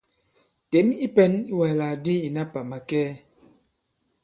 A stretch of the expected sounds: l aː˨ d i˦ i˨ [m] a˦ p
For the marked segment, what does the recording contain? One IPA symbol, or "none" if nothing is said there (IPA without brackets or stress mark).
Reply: n